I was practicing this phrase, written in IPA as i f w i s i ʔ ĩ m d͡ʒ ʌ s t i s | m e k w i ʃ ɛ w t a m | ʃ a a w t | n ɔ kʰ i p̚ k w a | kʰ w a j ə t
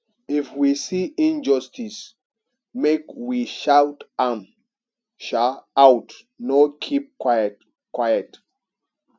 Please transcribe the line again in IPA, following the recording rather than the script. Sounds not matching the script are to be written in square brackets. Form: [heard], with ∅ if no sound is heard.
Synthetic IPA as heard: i f w i s i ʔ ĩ [n] d͡ʒ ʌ s t i s | m e k w i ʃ [a] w t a m | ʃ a a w t | n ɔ kʰ i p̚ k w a | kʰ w a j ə t